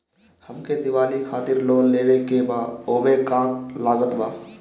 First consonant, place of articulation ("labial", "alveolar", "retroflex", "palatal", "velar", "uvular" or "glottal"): glottal